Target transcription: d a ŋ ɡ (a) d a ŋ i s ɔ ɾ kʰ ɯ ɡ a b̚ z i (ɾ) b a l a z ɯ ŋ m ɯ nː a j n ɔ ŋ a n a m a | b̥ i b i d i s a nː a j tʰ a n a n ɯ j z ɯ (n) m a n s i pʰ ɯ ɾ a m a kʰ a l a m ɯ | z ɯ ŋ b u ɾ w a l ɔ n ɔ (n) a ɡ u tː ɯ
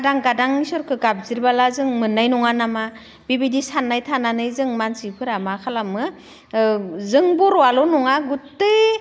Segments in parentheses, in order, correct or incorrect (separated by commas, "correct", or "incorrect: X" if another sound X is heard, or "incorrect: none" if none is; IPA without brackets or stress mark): correct, correct, incorrect: ŋ, incorrect: ŋ